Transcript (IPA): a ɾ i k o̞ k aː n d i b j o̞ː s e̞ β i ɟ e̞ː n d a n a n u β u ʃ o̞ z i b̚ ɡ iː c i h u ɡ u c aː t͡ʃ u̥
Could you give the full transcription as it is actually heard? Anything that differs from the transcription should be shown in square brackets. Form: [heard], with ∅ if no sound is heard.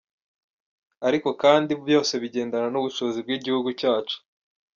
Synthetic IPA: a ɾ i k o̞ k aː n d i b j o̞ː s e̞ β i ɟ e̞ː n d a n a n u β u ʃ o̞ z i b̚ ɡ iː [ɟ] i h u ɡ u c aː t͡ʃ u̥